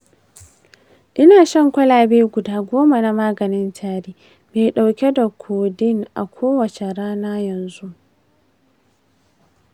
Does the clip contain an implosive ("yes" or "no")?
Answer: yes